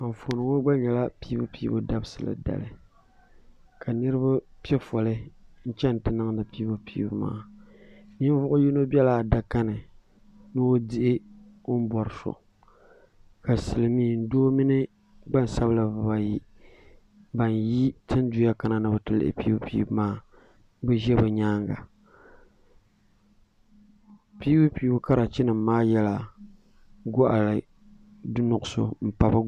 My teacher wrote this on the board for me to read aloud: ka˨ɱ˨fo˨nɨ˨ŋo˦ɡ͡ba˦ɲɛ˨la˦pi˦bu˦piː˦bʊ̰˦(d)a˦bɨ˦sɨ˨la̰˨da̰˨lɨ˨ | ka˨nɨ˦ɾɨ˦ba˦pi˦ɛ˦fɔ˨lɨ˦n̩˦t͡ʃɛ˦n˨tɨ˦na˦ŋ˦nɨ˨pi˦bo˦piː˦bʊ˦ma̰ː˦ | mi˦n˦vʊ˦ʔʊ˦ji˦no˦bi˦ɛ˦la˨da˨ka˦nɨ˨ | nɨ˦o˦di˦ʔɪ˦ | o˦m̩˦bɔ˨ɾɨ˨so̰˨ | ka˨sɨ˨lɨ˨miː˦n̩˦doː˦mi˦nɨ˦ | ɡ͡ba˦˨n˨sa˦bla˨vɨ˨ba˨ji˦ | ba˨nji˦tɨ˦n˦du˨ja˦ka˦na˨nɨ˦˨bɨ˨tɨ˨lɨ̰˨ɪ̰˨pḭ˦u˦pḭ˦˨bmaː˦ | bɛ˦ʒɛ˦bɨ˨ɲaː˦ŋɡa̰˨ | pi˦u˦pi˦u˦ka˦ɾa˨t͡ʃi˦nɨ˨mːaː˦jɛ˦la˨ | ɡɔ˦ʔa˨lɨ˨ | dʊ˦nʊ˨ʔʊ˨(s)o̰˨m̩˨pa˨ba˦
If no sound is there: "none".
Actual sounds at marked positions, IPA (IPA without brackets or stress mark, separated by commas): d, s